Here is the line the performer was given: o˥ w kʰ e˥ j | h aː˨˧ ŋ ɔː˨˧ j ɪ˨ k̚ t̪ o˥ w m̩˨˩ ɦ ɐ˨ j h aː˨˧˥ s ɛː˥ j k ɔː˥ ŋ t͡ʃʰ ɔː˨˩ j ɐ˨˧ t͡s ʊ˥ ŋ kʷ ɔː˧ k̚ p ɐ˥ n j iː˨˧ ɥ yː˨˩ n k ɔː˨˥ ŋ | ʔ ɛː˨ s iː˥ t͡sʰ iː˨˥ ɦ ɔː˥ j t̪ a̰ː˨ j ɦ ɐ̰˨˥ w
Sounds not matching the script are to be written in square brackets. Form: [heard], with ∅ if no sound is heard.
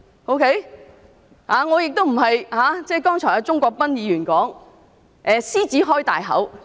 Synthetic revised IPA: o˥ w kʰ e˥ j | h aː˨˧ ŋ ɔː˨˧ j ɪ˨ k̚ t̪ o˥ w m̩˨˩ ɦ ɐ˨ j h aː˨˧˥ [t͡s] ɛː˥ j k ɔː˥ ŋ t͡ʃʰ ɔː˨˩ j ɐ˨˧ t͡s ʊ˥ ŋ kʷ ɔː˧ k̚ p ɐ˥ n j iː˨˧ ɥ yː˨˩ n k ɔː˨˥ ŋ | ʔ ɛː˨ s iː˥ [t͡s] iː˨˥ ɦ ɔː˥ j t̪ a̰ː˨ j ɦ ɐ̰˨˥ w